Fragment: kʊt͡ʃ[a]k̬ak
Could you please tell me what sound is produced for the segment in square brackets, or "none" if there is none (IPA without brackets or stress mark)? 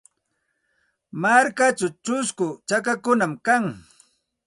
a